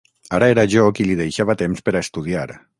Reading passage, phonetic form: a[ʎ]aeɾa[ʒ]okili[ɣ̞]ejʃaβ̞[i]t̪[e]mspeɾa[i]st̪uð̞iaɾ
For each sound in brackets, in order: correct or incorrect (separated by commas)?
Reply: incorrect, correct, incorrect, incorrect, correct, incorrect